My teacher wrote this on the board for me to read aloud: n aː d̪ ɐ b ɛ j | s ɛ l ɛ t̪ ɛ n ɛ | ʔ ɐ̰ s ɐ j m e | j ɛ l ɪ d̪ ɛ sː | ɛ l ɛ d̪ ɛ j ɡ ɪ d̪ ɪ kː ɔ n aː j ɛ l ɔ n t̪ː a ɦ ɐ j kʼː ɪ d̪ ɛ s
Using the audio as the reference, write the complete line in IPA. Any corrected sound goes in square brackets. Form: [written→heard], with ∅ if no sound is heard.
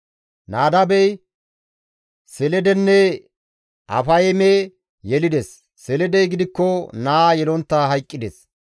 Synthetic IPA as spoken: n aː d̪ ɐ b ɛ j | s ɛ l ɛ [t̪→d̪] ɛ [n→nː] ɛ | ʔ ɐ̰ [s→f] ɐ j m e | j ɛ l ɪ d̪ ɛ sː | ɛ l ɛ d̪ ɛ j ɡ ɪ d̪ ɪ kː ɔ n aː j ɛ l ɔ n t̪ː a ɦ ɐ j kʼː ɪ d̪ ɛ s